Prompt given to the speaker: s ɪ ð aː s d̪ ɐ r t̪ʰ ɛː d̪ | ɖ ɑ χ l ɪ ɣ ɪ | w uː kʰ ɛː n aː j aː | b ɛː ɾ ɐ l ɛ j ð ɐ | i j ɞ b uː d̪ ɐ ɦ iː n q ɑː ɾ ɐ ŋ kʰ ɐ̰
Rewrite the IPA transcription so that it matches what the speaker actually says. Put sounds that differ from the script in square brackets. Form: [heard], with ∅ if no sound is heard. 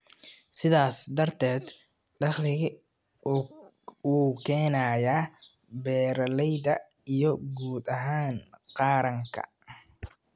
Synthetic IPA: s ɪ ð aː s d̪ ɐ r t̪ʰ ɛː d̪ | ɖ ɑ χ l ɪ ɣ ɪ | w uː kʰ ɛː n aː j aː | b ɛː ɾ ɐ l ɛ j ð ɐ | i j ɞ [ɡ] uː d̪ ɐ ɦ [aː] n q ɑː ɾ ɐ ŋ kʰ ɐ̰